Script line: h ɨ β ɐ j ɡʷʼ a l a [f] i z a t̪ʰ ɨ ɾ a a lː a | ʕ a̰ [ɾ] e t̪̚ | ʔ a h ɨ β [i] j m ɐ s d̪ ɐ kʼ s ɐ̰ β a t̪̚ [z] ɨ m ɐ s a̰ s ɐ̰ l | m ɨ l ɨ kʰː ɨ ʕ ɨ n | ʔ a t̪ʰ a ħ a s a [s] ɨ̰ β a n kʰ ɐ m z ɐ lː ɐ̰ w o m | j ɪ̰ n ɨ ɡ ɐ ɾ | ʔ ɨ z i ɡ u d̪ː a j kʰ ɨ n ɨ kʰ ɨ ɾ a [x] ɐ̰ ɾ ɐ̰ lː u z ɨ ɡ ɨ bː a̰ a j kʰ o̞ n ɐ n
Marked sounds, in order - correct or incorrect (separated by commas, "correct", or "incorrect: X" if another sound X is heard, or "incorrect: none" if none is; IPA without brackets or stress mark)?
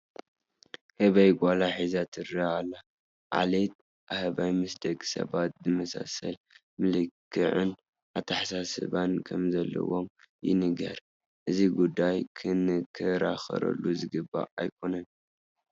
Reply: incorrect: ħ, incorrect: l, incorrect: a, correct, correct, correct